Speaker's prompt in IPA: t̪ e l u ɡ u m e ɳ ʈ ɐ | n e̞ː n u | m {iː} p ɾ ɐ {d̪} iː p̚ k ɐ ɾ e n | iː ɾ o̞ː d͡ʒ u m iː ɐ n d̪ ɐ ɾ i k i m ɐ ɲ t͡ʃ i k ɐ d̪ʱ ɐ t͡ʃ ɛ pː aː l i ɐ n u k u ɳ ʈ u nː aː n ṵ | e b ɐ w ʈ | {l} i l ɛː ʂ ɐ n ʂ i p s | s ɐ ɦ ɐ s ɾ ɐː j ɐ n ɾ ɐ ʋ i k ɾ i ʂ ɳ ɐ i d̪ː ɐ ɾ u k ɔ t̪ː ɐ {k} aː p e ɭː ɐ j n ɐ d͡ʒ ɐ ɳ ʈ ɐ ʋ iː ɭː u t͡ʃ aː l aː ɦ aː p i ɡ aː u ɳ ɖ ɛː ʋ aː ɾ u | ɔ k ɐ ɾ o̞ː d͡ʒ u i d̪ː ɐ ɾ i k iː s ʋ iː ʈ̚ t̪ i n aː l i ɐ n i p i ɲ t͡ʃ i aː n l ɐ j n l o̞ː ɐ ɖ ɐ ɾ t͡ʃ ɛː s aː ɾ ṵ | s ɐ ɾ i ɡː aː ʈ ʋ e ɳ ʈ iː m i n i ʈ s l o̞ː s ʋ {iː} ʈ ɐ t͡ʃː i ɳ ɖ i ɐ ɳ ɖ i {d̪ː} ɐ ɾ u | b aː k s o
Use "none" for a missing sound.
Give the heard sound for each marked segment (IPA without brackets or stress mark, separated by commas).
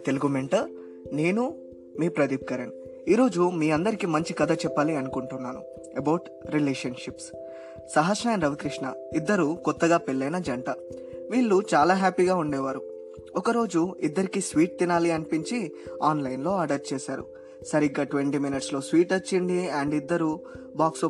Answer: iː, d̪, ɾ, ɡ, iː, d̪ː